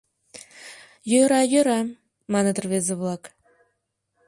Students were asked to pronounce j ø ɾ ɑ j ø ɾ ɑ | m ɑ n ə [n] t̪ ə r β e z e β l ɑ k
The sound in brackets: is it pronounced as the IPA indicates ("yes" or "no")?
no